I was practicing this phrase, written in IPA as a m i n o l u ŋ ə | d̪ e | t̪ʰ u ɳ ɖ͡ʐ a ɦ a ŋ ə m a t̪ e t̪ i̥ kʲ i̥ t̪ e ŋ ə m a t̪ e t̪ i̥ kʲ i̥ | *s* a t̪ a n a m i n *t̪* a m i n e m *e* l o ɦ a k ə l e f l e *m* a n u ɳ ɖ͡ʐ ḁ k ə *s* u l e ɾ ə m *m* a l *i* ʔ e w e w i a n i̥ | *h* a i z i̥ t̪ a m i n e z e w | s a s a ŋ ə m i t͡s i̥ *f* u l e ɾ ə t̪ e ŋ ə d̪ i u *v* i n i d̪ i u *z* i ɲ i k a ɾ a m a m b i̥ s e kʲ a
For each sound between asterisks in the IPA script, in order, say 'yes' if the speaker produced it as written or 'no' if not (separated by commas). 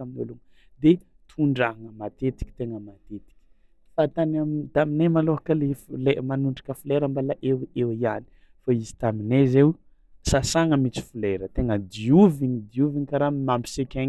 no, yes, no, yes, no, no, no, no, yes, yes, no